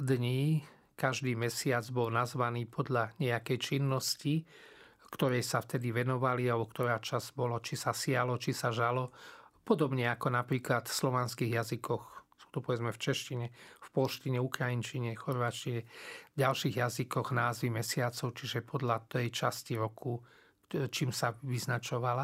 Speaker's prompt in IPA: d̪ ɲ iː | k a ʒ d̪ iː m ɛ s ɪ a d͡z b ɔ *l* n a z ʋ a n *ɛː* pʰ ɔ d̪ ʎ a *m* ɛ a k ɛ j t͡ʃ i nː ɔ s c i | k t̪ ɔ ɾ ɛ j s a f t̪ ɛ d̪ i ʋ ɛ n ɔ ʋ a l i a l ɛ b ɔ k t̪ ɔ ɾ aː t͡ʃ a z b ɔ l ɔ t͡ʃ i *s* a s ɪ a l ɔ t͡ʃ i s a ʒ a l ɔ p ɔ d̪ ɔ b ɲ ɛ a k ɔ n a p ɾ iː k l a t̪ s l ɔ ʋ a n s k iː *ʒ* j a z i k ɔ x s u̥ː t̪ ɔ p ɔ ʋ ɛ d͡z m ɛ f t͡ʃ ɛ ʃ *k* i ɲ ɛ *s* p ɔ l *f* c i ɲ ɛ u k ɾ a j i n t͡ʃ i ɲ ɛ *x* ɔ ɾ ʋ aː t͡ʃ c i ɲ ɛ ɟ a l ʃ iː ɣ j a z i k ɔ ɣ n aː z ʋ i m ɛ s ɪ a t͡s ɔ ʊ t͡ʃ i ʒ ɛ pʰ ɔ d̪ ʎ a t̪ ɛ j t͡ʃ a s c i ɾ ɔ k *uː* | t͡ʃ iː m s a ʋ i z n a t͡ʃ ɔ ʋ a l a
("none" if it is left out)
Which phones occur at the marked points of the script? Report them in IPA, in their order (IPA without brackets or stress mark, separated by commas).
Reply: l, iː, ɲ, s, ɣ, c, f, ʃ, x, u